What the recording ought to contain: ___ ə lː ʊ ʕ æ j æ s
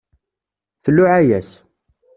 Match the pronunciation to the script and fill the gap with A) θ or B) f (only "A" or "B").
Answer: A